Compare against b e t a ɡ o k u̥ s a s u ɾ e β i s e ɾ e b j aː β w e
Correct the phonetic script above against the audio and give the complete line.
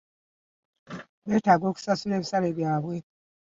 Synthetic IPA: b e t a ɡ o k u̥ s a s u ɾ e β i s a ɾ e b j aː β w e